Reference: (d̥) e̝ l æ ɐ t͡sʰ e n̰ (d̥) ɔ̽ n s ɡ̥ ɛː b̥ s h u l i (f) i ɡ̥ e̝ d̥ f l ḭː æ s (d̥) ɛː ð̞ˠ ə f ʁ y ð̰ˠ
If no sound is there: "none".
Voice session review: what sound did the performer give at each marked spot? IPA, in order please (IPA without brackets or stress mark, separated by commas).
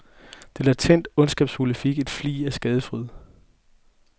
d̥, d̥, f, ɡ̥